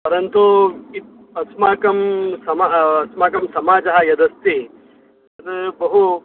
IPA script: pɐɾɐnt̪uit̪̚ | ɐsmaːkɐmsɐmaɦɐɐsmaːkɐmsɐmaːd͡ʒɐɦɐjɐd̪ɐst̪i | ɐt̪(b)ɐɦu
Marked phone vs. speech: correct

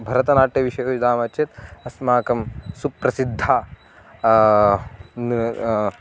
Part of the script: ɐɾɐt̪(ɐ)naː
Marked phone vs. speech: correct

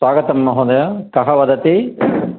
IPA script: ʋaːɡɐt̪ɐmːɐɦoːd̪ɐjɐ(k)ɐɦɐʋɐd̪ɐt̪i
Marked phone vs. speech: correct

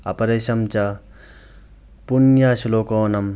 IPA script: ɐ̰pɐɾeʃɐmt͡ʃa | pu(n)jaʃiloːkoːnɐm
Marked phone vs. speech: correct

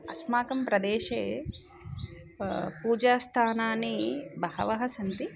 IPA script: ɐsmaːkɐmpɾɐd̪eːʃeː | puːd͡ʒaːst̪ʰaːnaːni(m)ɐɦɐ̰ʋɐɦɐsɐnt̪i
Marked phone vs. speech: incorrect: b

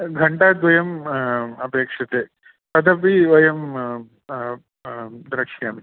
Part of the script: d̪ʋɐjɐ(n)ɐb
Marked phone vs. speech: incorrect: m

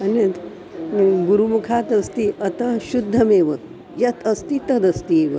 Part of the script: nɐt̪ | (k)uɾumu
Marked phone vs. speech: incorrect: ɡ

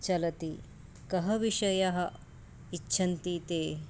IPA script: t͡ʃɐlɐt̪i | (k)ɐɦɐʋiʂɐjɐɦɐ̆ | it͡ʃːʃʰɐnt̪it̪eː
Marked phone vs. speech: correct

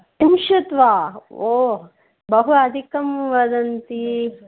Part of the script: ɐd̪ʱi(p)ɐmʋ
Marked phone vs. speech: incorrect: k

